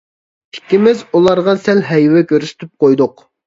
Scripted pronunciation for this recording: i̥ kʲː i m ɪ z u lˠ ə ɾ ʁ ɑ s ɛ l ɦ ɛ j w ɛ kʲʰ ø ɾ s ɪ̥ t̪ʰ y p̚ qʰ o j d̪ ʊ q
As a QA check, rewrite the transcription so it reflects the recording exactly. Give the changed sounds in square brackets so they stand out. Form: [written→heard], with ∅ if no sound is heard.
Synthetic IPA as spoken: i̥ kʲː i m ɪ z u lˠ [ə→ɑ] ɾ ʁ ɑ s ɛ l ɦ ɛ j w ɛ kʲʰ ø ɾ s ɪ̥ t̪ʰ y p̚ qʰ o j d̪ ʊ q